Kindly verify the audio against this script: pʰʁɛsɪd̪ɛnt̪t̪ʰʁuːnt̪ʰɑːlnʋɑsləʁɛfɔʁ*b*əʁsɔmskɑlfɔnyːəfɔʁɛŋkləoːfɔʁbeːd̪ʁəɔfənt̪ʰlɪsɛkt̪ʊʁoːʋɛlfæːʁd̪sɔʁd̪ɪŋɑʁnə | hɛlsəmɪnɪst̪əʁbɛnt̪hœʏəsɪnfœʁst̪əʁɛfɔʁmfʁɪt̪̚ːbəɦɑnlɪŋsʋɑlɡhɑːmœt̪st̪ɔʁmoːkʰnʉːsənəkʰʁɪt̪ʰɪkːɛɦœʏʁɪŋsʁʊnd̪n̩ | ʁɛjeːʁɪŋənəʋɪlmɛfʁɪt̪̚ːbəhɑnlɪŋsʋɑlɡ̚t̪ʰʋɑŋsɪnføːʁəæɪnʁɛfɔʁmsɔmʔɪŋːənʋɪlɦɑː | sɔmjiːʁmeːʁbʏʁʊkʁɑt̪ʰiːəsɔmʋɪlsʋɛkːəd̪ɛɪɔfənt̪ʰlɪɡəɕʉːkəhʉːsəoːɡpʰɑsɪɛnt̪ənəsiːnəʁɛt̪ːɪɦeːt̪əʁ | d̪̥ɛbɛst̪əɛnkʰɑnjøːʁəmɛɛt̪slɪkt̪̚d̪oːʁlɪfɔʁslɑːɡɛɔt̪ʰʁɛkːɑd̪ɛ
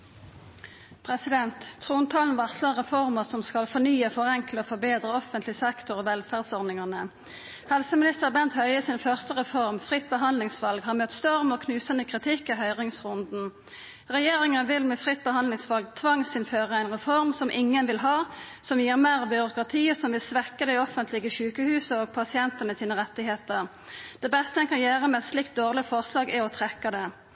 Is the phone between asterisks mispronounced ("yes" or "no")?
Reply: yes